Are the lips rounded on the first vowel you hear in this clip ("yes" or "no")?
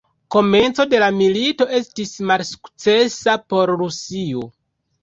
yes